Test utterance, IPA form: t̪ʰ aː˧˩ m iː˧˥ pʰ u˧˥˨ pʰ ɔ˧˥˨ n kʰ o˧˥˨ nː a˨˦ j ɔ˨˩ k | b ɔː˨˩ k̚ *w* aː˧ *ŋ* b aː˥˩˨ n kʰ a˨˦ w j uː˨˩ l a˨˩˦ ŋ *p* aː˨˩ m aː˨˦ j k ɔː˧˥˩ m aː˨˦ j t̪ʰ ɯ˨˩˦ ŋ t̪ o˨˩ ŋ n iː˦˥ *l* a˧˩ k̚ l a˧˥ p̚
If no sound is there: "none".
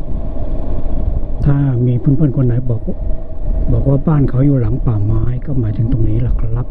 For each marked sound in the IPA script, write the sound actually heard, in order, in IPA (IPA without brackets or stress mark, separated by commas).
w, none, p, l